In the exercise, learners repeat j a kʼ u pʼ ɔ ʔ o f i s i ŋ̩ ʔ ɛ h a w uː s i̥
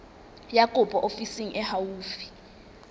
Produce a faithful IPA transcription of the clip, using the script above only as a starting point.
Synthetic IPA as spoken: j a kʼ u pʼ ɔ ʔ o f i s i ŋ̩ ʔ ɛ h a w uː f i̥